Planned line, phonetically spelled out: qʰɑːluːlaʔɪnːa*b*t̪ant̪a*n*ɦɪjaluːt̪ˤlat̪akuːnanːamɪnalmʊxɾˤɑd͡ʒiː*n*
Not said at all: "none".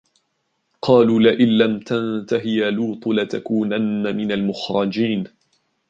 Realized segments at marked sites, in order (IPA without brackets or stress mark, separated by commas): m, none, n